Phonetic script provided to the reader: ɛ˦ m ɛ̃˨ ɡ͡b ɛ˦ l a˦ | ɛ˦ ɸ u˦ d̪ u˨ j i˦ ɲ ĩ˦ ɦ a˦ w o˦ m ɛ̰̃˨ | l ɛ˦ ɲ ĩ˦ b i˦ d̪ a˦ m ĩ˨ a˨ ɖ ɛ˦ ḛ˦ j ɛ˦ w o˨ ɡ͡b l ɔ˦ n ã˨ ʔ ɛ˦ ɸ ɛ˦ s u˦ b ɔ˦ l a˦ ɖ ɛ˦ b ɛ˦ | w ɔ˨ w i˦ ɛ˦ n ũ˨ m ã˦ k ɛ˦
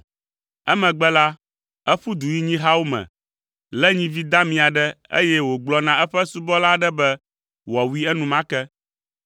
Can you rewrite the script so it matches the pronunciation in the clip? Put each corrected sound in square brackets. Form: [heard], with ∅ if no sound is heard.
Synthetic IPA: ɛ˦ m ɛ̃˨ ɡ͡b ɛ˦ l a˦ | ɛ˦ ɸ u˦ d̪ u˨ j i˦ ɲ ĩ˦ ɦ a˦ w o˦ m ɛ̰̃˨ | l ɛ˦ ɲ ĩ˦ [v] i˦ d̪ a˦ m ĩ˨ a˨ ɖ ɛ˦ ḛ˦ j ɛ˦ w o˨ ɡ͡b l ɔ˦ n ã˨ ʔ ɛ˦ ɸ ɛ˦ s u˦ b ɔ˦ l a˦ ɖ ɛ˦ b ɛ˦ | w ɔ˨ w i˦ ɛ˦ n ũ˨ m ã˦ k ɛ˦